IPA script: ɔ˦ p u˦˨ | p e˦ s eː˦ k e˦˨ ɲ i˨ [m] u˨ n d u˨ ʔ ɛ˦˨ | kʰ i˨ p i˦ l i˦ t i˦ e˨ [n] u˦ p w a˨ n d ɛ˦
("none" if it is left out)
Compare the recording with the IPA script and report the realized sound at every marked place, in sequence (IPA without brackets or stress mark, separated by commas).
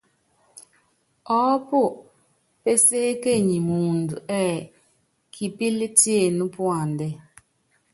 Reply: m, n